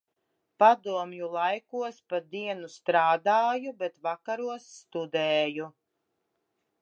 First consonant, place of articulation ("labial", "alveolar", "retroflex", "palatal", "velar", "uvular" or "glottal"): labial